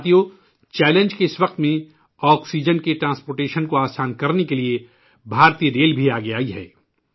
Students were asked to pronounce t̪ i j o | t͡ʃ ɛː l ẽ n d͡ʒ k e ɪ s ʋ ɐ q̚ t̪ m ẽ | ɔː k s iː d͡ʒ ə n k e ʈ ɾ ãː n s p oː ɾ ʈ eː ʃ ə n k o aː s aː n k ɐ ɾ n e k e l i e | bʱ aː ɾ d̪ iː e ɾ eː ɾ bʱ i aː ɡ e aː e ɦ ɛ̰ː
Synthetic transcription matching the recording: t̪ i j o | t͡ʃ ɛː l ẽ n d͡ʒ k e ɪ s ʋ ɐ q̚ t̪ m ẽ | ɔː k s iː d͡ʒ ə n k e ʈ ɾ ãː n s p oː ɾ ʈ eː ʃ ə n k o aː s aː n k ɐ ɾ n e k e l i e | bʱ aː ɾ t̪ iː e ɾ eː l bʱ i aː ɡ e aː i ɦ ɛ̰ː